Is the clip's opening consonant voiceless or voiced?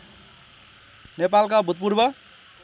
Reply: voiced